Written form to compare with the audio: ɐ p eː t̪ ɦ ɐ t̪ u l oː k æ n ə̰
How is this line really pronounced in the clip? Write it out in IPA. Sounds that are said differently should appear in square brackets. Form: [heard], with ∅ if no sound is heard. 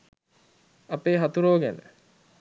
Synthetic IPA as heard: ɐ p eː [∅] ɦ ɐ t̪ u [ɾ] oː [ɡ] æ n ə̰